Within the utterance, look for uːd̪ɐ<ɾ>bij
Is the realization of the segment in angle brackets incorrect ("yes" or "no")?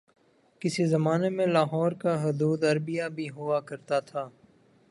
no